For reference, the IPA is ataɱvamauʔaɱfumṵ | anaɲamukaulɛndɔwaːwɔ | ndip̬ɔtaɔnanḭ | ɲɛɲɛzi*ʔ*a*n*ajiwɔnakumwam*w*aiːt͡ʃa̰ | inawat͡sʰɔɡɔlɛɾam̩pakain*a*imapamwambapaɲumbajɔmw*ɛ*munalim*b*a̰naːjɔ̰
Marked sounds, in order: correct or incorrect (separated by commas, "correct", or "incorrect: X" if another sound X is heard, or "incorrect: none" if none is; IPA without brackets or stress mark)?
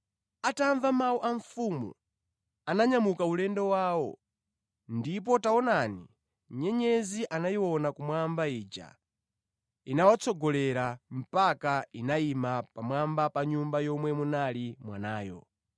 correct, correct, incorrect: b, correct, correct, incorrect: w